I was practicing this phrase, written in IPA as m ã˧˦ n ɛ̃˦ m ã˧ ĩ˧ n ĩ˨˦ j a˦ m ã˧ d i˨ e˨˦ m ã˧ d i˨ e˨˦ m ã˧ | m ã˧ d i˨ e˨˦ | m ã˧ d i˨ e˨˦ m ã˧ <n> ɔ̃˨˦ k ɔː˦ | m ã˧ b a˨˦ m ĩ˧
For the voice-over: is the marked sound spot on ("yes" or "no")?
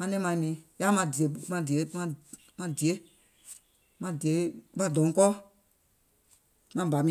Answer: no